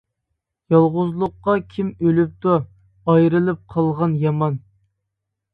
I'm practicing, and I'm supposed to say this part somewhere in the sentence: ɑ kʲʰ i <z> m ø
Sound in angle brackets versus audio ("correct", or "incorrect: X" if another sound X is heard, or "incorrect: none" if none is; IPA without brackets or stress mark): incorrect: none